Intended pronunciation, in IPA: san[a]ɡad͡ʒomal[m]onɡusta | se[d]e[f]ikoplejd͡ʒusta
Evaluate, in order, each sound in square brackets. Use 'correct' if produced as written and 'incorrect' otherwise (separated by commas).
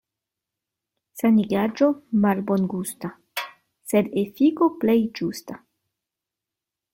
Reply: incorrect, incorrect, correct, correct